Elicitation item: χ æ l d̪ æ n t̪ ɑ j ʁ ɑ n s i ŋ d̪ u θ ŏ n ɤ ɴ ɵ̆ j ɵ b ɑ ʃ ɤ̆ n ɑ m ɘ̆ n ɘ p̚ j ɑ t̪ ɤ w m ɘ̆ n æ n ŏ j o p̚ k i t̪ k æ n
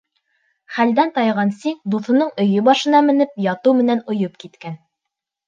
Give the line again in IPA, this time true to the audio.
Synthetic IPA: χ æ l d̪ æ n t̪ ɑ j ʁ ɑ n s i ŋ d̪ u θ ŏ n ɤ ɴ ɵ̆ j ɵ b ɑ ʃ ɤ̆ n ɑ m ɘ̆ n ɘ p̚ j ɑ t̪ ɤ w m ɘ̆ n æ n ŏ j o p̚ k i t̪ k æ n